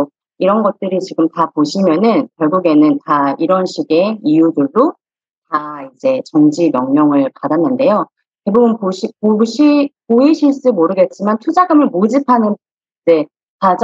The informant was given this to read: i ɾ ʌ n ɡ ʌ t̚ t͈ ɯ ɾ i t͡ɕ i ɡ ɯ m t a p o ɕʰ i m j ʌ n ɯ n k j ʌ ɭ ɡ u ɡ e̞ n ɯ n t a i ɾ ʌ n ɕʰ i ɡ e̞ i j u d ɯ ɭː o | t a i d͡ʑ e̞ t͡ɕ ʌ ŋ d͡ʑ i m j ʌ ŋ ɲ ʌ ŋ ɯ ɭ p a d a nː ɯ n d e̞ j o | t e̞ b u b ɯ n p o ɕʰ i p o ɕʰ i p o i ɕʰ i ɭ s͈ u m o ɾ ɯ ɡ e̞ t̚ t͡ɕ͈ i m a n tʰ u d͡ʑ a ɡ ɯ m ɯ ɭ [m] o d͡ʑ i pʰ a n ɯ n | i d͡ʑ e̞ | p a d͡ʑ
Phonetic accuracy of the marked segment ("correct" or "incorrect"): correct